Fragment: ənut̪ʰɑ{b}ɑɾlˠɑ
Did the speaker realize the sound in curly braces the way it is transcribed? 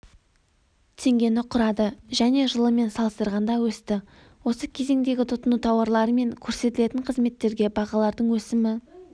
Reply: no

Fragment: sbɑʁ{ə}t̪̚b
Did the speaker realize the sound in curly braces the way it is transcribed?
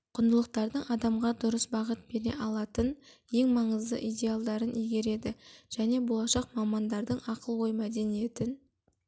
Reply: yes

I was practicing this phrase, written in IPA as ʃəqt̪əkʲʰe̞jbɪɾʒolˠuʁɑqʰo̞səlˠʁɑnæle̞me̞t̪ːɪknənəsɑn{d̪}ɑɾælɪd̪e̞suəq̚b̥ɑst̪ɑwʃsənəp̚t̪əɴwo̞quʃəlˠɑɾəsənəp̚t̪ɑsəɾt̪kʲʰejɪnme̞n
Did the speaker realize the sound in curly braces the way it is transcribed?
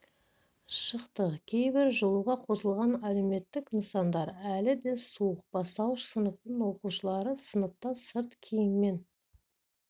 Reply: yes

